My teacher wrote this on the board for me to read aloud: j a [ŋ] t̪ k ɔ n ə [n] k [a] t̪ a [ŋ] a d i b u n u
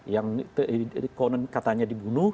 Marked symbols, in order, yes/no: yes, yes, yes, no

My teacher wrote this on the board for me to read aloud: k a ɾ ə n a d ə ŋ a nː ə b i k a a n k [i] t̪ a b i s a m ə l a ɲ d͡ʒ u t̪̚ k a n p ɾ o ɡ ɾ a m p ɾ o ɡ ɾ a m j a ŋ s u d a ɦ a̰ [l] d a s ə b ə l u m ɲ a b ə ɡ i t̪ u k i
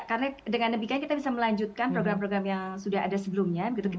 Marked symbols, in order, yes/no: yes, no

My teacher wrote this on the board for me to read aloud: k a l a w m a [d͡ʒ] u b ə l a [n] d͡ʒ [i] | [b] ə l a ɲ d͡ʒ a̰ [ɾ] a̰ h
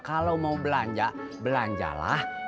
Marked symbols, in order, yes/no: no, no, no, yes, no

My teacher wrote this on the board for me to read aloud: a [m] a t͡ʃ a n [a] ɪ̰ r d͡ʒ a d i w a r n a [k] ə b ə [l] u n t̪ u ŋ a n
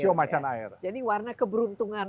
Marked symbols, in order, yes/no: yes, yes, yes, no

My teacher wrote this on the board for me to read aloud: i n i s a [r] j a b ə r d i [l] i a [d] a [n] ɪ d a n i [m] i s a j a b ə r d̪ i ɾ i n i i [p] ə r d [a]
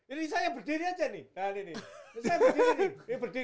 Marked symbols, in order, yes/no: no, no, no, yes, no, no, no

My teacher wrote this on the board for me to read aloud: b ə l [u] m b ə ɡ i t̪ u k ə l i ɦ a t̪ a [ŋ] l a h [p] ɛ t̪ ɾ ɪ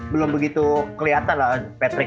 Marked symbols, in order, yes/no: no, no, yes

